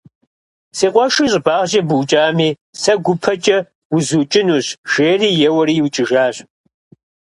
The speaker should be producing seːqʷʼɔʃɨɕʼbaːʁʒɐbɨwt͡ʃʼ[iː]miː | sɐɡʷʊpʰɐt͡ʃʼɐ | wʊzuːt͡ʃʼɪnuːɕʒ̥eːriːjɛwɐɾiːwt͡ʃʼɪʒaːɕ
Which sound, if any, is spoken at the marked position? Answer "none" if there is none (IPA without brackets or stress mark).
aː